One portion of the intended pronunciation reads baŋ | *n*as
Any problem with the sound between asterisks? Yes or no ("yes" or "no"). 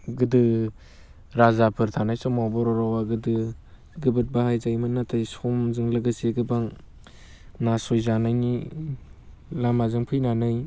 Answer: no